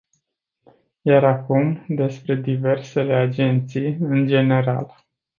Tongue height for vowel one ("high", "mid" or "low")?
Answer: low